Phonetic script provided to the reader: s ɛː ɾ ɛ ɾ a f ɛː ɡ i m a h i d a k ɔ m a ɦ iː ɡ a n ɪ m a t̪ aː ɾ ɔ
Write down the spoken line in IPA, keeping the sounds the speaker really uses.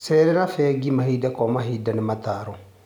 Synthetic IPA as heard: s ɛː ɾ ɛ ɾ a f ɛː ɡ i m a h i d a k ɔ m a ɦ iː d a n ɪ m a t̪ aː ɾ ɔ